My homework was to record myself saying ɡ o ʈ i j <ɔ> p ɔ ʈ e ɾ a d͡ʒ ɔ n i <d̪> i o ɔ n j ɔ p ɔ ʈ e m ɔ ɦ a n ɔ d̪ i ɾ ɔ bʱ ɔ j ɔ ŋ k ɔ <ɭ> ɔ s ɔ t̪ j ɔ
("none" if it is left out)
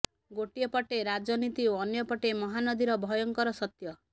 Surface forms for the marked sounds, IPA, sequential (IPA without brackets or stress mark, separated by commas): ɔ, t̪, ɾ